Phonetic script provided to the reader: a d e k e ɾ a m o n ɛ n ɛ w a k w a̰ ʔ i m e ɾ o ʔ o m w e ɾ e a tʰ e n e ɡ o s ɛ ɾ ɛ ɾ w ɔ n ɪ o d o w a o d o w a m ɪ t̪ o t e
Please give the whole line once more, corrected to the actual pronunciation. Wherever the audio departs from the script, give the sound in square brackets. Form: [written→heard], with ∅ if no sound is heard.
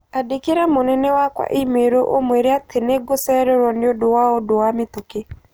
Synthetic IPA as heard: a d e k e ɾ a m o n ɛ n ɛ w a k w a̰ ʔ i m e ɾ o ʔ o m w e ɾ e a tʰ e n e ɡ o s ɛ ɾ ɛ ɾ w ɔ n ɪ o d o w a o d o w a m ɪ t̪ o [t→k] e